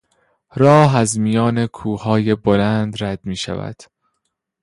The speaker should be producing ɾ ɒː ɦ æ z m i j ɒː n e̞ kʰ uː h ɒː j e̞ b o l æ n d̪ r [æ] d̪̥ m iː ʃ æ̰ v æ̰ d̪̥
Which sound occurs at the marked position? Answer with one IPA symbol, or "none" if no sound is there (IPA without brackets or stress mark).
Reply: æ